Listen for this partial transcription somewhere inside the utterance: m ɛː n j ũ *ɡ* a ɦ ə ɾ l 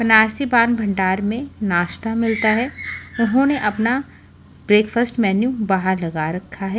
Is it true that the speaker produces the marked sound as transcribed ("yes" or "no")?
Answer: no